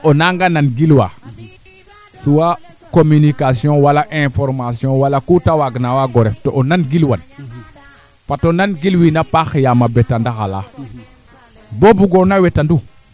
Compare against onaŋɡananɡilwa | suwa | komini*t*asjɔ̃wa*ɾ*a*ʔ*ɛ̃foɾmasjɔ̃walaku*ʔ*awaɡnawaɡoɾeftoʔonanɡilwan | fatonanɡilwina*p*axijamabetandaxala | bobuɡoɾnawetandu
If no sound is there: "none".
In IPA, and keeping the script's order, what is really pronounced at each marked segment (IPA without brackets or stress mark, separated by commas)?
k, l, ʔ, t, p